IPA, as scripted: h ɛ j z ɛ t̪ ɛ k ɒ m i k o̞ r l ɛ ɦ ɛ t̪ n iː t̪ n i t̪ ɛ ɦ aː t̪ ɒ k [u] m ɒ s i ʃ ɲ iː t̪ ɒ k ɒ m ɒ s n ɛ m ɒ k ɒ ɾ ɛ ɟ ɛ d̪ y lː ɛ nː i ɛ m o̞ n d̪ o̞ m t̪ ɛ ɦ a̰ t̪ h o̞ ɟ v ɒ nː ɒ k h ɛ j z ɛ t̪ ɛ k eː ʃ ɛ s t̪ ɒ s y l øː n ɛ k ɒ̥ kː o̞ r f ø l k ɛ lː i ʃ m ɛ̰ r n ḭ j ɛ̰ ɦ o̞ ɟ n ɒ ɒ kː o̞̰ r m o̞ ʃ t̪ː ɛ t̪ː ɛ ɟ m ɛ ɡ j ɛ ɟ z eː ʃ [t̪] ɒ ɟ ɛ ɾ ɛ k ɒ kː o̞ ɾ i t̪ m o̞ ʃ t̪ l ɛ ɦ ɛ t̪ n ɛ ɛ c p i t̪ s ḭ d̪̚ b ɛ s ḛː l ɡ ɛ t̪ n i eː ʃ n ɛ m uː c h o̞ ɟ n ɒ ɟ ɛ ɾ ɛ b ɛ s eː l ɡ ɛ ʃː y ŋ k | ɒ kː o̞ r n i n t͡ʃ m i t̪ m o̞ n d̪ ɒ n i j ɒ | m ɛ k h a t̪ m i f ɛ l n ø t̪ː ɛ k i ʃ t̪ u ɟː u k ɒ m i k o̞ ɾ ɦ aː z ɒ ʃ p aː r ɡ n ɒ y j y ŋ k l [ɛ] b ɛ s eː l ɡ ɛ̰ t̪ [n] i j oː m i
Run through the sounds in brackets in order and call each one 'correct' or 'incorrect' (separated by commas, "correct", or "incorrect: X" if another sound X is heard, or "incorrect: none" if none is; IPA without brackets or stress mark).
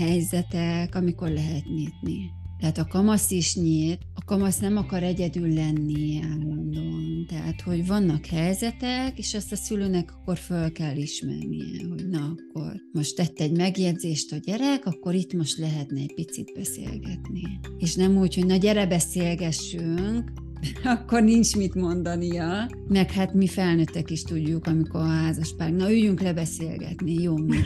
incorrect: ɒ, correct, correct, correct